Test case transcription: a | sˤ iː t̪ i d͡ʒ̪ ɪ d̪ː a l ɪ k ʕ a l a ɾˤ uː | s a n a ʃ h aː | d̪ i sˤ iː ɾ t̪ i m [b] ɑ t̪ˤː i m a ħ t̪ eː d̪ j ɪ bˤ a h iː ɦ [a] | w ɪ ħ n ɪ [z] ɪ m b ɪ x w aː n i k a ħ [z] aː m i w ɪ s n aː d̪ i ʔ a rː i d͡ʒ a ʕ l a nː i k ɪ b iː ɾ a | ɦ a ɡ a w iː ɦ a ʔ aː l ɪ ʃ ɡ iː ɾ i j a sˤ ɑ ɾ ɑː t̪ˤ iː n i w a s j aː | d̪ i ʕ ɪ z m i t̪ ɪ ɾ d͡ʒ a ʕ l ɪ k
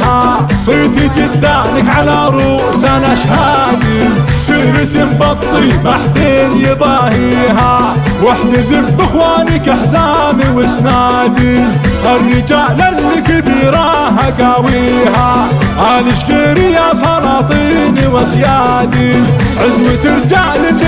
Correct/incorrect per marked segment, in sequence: correct, correct, correct, correct

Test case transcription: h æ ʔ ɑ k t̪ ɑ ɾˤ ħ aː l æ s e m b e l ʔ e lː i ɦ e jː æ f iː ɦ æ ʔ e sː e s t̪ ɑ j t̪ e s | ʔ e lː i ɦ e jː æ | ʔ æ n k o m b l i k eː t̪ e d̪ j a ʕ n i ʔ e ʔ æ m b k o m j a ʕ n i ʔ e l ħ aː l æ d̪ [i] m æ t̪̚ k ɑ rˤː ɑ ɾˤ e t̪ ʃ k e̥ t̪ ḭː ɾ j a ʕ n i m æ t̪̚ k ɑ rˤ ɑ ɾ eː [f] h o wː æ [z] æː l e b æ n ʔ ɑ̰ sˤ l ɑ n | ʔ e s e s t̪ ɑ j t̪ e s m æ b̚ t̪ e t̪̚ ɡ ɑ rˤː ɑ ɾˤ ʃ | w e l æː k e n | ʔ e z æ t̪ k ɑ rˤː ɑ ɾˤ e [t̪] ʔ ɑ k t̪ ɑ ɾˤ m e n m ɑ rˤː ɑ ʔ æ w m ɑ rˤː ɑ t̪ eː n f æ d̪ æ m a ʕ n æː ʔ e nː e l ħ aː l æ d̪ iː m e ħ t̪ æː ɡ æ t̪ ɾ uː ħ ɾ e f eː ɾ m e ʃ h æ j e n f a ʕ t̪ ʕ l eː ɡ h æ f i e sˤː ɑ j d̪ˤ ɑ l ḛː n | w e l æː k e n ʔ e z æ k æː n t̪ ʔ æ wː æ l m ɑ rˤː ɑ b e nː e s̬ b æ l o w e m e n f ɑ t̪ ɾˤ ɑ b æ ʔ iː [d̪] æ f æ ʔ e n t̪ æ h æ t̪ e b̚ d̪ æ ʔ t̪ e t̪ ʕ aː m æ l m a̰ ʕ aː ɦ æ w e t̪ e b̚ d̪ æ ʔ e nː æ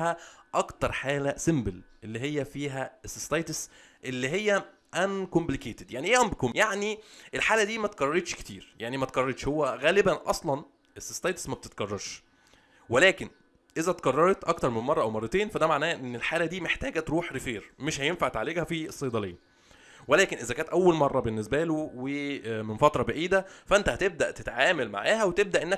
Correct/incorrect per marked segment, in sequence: incorrect, incorrect, incorrect, correct, correct

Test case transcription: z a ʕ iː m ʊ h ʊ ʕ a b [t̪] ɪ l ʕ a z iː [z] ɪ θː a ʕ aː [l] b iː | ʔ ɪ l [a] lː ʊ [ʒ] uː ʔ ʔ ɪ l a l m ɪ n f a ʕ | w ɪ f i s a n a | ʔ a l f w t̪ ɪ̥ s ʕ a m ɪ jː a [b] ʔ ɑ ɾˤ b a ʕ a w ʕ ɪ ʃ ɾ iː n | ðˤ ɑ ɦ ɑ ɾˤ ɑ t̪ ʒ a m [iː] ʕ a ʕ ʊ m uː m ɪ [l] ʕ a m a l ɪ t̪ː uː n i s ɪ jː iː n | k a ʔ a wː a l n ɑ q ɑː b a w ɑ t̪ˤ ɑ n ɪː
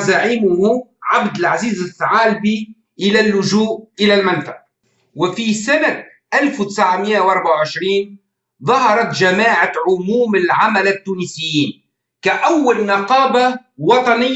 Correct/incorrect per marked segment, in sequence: incorrect, correct, correct, correct, correct, incorrect, incorrect, correct

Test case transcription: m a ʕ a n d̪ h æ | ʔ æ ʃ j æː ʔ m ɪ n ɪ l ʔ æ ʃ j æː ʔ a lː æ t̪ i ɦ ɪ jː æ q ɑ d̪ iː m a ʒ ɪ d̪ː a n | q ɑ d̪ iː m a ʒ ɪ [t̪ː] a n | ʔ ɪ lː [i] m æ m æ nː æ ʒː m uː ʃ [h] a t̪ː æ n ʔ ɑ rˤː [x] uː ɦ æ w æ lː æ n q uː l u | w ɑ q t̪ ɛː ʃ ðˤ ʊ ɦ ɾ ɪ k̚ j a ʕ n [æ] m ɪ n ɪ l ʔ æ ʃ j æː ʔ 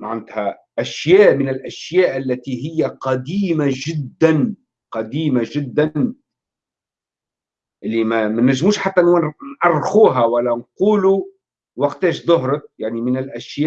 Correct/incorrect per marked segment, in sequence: incorrect, correct, incorrect, correct, incorrect

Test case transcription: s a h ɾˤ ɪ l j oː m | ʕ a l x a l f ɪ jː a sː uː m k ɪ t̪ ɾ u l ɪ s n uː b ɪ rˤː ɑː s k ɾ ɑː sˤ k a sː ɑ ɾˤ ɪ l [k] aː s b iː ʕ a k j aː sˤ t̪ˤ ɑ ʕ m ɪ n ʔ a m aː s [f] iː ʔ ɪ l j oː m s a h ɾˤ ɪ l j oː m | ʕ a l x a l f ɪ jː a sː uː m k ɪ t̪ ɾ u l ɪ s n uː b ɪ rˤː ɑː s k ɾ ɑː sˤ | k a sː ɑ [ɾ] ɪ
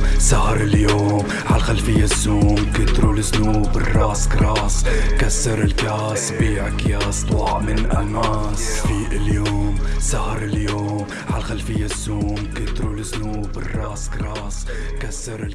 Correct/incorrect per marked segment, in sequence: correct, correct, correct

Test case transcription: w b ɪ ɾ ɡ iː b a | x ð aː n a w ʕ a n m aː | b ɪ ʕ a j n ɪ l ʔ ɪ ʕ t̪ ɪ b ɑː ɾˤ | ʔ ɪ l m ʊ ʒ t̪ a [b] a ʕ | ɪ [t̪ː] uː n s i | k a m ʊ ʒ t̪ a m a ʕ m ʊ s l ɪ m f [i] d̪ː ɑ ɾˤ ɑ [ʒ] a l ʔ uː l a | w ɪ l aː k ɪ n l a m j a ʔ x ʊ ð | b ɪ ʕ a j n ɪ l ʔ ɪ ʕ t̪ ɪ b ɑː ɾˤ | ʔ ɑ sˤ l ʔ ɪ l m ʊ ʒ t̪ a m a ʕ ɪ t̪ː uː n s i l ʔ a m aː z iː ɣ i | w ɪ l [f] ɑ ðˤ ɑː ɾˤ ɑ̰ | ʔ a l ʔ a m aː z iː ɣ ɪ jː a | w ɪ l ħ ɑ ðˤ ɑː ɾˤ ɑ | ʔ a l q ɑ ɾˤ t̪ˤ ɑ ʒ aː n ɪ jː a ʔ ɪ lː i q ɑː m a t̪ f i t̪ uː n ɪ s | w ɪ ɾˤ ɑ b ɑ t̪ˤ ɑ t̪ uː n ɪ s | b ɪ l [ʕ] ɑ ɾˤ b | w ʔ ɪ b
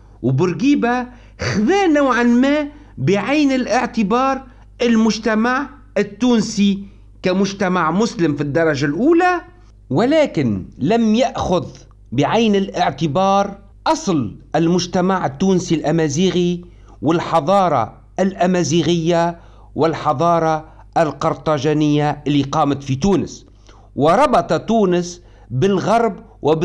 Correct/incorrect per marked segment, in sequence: incorrect, correct, correct, correct, incorrect, incorrect

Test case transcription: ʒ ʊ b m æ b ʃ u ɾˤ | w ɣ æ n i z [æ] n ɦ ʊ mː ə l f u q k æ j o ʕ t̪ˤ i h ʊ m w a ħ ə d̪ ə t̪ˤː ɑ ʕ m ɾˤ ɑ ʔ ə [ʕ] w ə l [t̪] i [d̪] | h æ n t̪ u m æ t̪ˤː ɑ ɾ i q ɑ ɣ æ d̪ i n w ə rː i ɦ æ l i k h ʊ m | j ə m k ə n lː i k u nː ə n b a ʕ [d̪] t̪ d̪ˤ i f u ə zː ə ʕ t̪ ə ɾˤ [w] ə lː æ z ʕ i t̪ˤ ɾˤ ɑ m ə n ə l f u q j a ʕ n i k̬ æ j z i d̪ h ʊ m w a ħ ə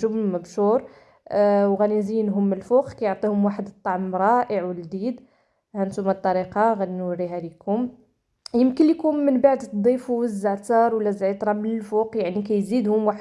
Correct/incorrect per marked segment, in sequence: incorrect, correct, incorrect, correct, correct, correct

